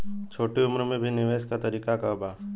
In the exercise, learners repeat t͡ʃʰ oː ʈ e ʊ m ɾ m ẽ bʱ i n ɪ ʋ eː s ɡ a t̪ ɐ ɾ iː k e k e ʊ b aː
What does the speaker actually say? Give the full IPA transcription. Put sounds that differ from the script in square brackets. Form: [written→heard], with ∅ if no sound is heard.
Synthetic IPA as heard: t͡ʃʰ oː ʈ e ʊ m ɾ m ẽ bʱ i n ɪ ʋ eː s [ɡ→k] a t̪ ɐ ɾ iː k [e→a] k [e→a] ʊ b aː

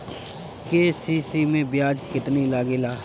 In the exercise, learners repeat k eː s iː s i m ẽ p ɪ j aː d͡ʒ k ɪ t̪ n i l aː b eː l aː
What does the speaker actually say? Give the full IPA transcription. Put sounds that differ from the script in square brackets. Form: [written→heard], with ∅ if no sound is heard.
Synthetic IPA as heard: k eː s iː s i m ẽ [p→b] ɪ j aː d͡ʒ k ɪ t̪ n i l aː [b→ɡ] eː l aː

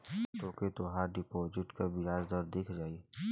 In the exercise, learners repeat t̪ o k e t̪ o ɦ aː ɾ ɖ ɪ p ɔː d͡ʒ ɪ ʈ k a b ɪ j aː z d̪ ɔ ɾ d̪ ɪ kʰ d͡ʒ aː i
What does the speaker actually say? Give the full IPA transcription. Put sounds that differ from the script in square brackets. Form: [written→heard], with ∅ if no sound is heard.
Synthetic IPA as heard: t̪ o k e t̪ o ɦ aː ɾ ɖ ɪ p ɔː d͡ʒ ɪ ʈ k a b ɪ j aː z d̪ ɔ ɾ d̪ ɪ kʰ d͡ʒ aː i

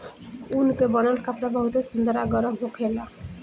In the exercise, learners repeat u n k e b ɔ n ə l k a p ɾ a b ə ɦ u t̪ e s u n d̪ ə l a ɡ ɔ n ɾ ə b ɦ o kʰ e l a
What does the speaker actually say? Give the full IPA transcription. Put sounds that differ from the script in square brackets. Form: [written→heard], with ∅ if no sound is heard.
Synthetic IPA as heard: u n k e b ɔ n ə l k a p ɾ a b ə ɦ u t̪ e s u n d̪ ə [l→ɾ] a ɡ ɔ [n→∅] ɾ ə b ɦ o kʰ e l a

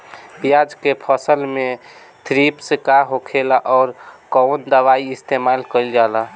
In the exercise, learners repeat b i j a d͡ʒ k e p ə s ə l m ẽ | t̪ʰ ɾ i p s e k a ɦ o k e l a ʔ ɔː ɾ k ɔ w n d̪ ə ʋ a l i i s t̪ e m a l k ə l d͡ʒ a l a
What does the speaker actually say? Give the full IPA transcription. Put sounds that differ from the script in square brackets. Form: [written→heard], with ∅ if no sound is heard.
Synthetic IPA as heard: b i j a d͡ʒ k e [p→pʰ] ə s ə l m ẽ | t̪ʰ ɾ i p s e k a ɦ o [k→kʰ] e l a ʔ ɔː ɾ k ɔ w n d̪ ə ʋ a [l→∅] i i s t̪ e m a l k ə l d͡ʒ a l a

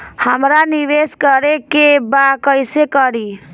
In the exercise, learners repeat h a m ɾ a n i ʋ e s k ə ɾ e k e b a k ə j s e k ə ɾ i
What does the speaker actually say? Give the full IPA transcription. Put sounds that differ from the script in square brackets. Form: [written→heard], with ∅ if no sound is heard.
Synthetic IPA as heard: h [a→ə] m ɾ a n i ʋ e s k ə ɾ e k e b a k ə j s e k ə ɾ i

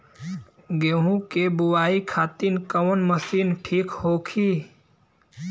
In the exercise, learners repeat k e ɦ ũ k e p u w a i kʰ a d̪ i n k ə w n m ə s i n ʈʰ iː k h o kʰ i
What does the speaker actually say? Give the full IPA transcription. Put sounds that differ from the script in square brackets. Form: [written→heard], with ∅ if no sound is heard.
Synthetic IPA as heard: [k→ɡ] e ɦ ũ k e [p→b] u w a i kʰ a [d̪→t̪] i n k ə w n m ə s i n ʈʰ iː k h o kʰ i

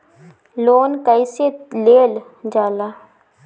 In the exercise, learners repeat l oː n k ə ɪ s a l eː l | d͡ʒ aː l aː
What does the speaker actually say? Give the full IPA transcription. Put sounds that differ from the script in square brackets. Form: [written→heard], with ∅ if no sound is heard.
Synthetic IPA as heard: l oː n k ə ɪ s [a→e] l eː l | d͡ʒ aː l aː

